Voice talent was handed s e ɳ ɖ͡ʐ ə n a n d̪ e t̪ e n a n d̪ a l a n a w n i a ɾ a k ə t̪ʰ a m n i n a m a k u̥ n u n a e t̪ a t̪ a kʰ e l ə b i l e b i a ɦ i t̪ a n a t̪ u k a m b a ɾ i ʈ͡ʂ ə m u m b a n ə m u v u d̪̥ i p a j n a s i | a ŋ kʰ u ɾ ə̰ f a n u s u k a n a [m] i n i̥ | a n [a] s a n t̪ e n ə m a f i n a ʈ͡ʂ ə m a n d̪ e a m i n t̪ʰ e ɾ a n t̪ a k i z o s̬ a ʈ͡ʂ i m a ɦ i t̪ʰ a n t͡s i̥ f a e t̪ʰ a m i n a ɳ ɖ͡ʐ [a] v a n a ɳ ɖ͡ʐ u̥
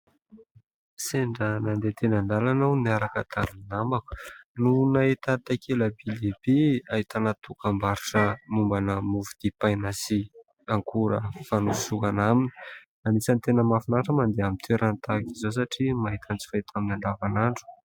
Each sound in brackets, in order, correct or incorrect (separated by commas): correct, incorrect, correct